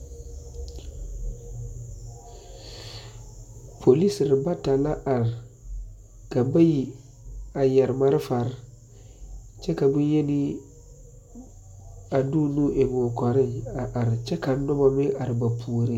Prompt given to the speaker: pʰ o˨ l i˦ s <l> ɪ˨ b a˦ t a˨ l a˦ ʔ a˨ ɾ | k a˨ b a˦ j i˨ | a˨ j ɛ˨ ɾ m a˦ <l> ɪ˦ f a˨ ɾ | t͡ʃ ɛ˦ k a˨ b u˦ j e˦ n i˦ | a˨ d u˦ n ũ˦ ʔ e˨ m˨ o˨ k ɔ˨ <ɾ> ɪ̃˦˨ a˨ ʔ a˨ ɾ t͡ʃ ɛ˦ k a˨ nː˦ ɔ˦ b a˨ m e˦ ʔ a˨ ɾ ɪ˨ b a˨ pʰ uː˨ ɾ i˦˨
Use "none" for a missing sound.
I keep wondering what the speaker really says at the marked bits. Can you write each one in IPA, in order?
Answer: ɾ, ɾ, ɾ

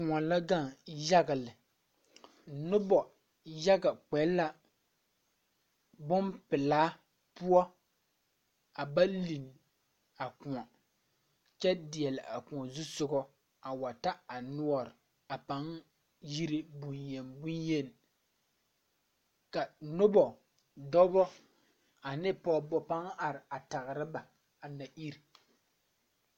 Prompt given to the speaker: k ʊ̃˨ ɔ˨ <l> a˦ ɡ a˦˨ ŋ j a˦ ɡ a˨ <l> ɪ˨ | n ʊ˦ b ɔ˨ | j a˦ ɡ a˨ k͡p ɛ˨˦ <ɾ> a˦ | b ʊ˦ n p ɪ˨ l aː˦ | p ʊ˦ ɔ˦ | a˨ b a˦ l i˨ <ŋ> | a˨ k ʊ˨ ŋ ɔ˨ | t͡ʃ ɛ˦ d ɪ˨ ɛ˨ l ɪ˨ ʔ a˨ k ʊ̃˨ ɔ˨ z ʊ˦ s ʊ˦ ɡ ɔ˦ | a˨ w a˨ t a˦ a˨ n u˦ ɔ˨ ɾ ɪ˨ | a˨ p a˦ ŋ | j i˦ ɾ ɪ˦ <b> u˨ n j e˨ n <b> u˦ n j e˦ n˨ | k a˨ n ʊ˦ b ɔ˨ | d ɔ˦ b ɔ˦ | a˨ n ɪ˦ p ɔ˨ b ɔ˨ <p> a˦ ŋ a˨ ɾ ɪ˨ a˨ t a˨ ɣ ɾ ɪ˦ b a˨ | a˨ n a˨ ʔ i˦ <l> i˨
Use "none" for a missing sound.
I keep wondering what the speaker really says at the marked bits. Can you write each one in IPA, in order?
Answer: l, l, l, n, b, b, p, ɾ

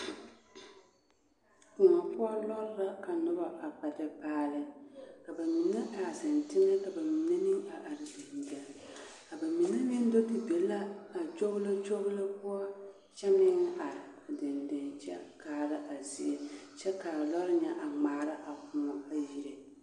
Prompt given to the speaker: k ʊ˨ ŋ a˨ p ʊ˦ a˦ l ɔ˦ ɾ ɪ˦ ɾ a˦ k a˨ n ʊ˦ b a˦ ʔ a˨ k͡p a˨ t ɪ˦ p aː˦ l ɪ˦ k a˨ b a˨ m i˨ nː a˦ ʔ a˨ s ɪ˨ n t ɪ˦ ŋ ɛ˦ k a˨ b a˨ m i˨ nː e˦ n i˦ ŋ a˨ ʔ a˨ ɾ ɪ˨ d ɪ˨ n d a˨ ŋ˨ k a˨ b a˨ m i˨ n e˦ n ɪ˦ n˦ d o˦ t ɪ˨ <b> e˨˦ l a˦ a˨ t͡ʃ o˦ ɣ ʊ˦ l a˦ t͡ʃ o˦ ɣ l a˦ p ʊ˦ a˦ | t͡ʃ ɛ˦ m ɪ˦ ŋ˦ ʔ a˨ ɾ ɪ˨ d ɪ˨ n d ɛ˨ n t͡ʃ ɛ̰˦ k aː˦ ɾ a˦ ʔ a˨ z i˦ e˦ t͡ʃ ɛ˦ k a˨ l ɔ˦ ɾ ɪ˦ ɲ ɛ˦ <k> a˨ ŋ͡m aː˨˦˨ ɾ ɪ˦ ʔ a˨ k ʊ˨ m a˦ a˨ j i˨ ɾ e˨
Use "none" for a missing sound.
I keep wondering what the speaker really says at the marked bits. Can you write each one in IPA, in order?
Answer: b, ʔ

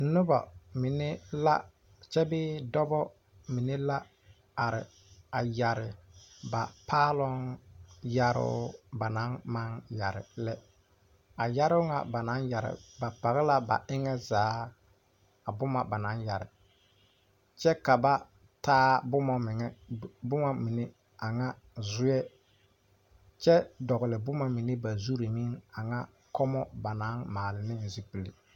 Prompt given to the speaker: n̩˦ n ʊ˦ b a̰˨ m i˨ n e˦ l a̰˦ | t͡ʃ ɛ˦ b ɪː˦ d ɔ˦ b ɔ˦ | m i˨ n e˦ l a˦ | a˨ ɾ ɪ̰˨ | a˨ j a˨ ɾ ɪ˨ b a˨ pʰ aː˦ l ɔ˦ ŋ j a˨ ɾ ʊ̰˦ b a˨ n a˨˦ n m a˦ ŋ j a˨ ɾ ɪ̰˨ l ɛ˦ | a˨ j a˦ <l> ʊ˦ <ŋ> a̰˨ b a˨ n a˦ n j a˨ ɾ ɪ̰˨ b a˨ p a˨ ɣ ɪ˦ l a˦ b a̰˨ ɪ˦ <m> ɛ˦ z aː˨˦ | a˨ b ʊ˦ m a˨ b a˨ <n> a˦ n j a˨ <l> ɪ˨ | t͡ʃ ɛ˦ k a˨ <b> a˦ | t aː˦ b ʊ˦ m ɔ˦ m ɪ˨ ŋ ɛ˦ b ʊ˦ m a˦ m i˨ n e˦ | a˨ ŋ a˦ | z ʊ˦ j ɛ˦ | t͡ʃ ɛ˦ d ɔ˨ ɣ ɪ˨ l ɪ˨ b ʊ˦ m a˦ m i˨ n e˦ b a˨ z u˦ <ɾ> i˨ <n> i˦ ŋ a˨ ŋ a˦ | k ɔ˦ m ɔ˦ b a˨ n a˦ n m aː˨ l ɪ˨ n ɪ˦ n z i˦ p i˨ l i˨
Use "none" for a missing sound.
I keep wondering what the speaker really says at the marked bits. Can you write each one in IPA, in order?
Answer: ɾ, ŋ, ŋ, n, ɾ, b, ɾ, m

